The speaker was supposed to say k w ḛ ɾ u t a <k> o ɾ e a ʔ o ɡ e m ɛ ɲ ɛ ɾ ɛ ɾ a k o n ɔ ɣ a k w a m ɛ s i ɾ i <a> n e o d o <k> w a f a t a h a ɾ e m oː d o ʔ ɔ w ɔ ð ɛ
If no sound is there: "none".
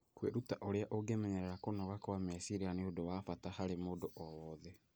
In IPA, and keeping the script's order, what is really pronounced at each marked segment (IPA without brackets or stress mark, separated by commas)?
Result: ʔ, a, none